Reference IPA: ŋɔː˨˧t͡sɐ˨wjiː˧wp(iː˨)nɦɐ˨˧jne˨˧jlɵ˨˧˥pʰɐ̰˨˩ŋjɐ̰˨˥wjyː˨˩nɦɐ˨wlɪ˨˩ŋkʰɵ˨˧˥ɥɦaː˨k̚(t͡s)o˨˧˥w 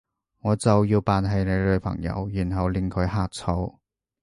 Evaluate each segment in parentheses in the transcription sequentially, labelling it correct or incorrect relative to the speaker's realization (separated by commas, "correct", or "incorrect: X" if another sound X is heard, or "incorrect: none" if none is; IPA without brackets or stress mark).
incorrect: aː˨, incorrect: t͡sʰ